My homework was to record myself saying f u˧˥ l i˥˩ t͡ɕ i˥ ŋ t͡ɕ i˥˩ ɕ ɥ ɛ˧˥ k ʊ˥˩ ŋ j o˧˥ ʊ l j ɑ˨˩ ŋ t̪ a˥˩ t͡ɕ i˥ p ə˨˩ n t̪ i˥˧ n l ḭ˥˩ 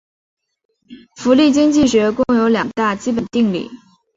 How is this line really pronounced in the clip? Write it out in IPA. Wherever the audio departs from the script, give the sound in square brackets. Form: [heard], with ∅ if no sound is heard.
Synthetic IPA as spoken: f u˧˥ l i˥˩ t͡ɕ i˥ ŋ t͡ɕ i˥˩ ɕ ɥ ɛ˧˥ k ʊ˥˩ ŋ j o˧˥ ʊ l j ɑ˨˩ ŋ t̪ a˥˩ t͡ɕ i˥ p ə˨˩ n t̪ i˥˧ [ŋ] l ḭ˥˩